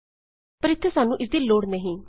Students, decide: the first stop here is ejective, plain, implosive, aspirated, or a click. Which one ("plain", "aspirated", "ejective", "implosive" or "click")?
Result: plain